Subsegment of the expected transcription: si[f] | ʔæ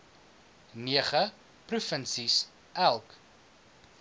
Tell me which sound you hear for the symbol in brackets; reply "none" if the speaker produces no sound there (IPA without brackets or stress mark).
s